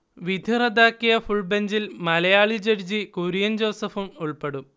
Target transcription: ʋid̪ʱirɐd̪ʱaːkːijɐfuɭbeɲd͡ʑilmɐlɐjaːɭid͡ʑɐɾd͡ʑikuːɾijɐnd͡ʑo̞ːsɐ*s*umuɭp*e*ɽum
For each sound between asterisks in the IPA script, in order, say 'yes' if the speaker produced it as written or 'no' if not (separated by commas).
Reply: no, yes